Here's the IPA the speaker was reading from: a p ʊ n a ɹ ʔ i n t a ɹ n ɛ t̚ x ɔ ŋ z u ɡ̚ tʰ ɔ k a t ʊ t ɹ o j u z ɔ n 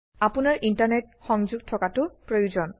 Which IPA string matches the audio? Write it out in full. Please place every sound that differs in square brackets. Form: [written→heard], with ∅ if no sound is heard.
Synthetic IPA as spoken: a p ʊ n a ɹ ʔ i n t a ɹ n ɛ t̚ x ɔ ŋ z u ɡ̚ tʰ ɔ k a t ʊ [t→p] ɹ o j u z ɔ n